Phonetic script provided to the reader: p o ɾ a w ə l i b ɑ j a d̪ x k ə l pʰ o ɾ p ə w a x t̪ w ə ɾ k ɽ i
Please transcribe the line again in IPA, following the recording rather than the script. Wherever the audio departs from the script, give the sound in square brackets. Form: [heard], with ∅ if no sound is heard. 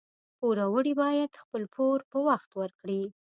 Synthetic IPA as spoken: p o ɾ a w ə [ɽ] i b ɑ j a d̪ x [p] ə l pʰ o ɾ p ə w a x t̪ w ə ɾ k ɽ i